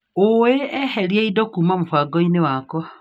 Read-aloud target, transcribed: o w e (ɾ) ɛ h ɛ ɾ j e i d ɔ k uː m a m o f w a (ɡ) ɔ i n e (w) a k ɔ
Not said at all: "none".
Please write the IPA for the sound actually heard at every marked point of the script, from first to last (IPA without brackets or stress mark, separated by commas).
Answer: none, ɡ, w